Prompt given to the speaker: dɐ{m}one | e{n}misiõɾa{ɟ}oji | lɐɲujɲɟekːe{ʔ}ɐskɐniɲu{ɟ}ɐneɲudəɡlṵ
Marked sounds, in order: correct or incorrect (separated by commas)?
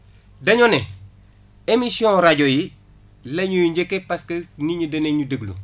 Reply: incorrect, incorrect, correct, incorrect, incorrect